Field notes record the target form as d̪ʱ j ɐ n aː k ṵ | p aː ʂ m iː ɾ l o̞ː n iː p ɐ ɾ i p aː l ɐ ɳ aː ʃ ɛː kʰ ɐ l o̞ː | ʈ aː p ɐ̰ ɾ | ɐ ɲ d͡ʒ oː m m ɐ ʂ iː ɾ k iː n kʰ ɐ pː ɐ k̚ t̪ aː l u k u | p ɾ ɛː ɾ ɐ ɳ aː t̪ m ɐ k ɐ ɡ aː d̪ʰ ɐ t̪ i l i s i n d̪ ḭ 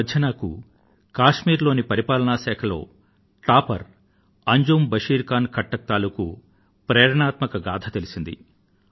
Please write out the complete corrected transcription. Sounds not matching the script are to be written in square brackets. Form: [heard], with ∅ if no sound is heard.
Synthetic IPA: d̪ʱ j ɐ n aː k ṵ | [k] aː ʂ m iː ɾ l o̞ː n [i] p ɐ ɾ i p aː l ɐ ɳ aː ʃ ɛː kʰ ɐ l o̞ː | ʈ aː p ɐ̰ ɾ | ɐ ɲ d͡ʒ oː m [b] ɐ ʂ iː ɾ k [aː] n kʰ ɐ [ʈː] ɐ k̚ t̪ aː l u k u | p ɾ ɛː ɾ ɐ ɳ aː t̪ m ɐ k ɐ ɡ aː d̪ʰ ɐ t̪ [e] l i s i n d̪ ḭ